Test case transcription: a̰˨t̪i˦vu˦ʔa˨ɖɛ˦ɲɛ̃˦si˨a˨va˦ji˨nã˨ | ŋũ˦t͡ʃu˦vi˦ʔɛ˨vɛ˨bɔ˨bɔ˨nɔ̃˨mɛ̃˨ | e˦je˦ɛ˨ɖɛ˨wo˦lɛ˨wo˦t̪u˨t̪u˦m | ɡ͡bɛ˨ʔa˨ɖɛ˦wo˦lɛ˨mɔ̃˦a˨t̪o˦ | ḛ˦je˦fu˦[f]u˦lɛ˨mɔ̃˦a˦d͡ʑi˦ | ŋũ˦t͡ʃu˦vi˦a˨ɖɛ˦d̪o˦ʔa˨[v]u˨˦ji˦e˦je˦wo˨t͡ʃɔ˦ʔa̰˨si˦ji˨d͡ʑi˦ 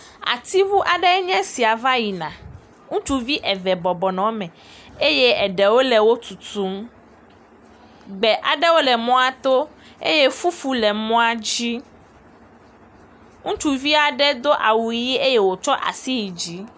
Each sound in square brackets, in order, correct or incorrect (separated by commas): correct, incorrect